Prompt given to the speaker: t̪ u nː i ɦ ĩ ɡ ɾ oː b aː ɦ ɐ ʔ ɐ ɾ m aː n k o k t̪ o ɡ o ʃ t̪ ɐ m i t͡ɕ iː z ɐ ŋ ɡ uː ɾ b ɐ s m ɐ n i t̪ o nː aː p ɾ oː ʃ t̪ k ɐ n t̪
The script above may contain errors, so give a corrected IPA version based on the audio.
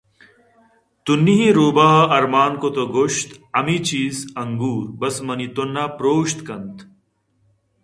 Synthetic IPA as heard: t̪ u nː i ɦ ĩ ɾ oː b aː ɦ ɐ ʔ ɐ ɾ m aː n k o t̪ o ɡ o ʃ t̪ ɐ m i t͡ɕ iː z ɐ ŋ ɡ uː ɾ b ɐ s m ɐ n i t̪ o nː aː p ɾ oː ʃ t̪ k ɐ n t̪